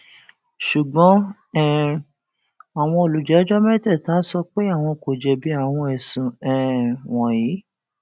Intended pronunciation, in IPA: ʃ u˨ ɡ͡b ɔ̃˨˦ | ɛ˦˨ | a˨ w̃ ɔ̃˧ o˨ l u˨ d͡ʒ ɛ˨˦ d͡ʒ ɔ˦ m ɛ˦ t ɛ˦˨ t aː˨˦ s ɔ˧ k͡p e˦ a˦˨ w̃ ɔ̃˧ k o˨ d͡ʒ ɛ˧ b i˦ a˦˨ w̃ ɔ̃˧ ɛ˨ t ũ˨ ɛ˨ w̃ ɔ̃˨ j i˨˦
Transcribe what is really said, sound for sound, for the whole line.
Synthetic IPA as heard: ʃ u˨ ɡ͡b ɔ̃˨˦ | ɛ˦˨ | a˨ w̃ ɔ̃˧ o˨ l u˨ d͡ʒ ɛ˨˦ d͡ʒ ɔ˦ m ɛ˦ t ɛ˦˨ t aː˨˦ s ɔ˧ k͡p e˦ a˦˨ w̃ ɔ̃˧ k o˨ d͡ʒ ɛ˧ b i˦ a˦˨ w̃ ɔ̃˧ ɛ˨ s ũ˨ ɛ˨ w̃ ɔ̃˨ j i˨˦